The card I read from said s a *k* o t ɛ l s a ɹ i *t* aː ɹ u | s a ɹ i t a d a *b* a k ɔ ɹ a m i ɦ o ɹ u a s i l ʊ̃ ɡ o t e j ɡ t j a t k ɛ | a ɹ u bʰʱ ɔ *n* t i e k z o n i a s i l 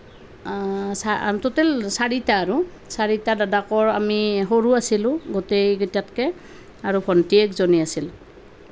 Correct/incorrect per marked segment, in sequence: incorrect, correct, incorrect, correct

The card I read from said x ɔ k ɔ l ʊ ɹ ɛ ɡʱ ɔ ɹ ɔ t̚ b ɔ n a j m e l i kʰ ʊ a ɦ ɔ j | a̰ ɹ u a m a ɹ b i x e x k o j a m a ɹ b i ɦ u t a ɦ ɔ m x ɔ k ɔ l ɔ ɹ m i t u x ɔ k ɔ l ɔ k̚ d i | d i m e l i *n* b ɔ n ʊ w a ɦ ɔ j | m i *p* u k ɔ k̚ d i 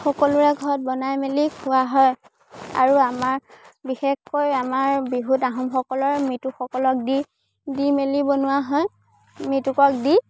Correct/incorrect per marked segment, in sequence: incorrect, incorrect

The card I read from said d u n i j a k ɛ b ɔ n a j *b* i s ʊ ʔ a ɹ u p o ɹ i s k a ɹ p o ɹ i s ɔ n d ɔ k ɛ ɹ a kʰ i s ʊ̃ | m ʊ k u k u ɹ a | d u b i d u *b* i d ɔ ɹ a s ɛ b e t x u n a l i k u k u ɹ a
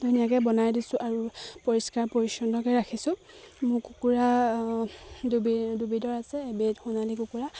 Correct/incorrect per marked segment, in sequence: incorrect, correct

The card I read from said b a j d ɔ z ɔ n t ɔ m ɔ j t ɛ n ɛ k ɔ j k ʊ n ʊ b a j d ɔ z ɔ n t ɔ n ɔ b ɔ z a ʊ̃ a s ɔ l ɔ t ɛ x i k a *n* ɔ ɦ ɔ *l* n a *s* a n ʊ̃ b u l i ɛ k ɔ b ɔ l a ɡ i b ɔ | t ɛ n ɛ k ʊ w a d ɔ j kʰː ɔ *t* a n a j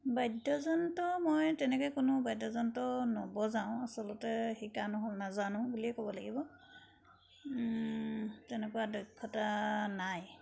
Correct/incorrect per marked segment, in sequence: correct, correct, incorrect, correct

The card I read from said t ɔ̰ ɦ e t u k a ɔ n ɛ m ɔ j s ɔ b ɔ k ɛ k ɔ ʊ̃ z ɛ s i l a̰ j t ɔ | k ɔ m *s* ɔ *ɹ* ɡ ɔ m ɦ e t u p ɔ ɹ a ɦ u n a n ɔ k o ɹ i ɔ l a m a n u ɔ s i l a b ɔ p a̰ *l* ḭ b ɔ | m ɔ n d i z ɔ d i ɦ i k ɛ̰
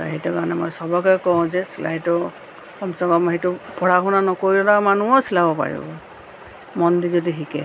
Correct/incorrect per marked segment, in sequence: correct, incorrect, incorrect

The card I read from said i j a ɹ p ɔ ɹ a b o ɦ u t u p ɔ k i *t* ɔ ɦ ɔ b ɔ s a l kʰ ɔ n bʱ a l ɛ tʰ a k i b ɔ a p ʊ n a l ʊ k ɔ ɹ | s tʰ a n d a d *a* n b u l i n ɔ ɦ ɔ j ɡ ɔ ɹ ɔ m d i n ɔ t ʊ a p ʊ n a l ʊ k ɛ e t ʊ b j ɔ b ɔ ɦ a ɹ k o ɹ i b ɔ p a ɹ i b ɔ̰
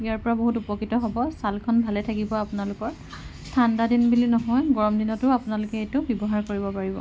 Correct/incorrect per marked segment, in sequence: correct, incorrect

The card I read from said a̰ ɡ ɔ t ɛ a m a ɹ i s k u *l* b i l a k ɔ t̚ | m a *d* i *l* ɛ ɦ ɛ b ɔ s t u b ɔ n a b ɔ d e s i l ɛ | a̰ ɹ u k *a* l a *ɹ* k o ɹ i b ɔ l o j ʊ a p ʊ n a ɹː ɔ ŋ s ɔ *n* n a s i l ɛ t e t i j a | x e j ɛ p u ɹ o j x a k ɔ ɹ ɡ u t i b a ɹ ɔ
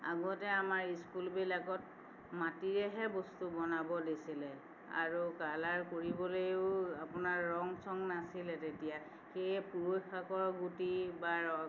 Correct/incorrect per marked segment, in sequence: correct, incorrect, incorrect, correct, correct, incorrect

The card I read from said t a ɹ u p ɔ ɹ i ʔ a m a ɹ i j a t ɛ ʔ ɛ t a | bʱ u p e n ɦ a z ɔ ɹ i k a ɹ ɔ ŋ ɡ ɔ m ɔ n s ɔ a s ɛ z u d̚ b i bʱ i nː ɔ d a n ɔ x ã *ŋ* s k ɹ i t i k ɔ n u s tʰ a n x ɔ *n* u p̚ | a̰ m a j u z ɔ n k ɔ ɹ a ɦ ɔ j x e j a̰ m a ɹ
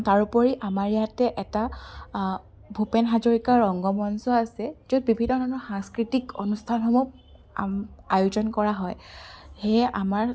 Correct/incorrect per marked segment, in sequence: correct, incorrect

